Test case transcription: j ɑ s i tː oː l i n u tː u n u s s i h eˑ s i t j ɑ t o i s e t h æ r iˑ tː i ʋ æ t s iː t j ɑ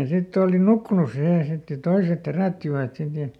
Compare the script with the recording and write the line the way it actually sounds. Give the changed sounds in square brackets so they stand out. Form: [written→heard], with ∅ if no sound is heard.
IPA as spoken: j ɑ s i tː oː l i n u [tː→kː] u n u s s i h eˑ s i t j ɑ t o i s e t h [æ→e] r [iˑ→æˑ] tː i ʋ æ t s [iː→i] t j ɑ